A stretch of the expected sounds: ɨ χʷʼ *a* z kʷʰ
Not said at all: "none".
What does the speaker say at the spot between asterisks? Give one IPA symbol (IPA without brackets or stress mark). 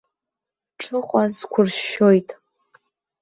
a